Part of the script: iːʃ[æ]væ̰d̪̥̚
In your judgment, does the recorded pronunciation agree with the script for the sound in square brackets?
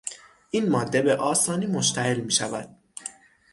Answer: yes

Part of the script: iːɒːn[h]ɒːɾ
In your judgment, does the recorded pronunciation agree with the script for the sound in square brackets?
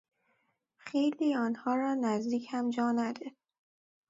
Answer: yes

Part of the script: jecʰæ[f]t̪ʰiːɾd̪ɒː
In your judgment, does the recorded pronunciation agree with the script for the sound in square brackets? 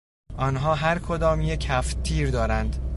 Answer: yes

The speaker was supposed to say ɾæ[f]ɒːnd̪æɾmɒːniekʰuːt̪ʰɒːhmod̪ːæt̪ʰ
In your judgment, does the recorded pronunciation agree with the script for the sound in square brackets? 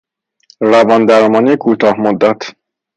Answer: no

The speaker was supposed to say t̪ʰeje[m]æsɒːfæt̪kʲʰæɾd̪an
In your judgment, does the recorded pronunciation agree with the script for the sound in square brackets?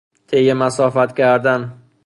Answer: yes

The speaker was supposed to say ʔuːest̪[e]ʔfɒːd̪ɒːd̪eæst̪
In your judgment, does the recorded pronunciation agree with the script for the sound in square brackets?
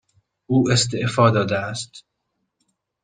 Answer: yes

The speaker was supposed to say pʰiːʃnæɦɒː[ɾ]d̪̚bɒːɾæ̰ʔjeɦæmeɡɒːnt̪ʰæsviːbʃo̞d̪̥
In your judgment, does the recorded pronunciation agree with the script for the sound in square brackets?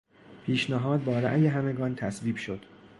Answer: no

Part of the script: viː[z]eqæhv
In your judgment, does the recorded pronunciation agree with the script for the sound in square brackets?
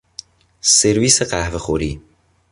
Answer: no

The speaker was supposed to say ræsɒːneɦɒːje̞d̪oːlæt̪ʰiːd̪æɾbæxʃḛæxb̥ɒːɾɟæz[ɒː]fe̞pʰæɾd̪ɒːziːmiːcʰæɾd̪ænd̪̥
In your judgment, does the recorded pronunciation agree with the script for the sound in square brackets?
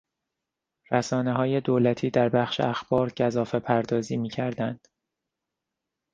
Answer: yes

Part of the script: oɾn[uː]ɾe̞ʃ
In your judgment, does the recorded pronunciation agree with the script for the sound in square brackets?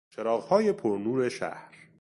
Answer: yes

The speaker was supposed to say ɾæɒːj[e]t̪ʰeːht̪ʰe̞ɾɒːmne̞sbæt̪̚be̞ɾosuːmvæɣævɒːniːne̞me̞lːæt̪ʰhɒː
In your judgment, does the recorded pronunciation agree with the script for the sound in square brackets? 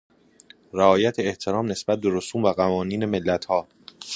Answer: no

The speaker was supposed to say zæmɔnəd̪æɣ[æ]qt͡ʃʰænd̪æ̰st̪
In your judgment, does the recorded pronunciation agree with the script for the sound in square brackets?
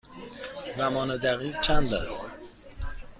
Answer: no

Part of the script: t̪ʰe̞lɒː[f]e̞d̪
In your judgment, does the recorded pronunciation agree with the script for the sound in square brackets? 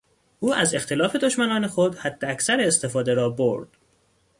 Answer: yes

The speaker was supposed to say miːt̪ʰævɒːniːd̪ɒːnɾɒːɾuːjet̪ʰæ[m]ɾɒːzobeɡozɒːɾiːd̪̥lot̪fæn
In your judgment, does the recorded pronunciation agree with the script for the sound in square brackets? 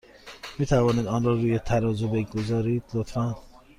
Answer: no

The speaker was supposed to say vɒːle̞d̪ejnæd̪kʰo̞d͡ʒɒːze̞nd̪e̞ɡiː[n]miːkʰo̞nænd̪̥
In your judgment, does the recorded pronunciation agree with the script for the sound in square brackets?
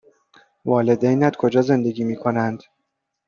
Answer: no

